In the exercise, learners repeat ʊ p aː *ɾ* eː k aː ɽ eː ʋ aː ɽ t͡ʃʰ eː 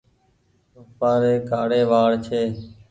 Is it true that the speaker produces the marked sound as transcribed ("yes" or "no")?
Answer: yes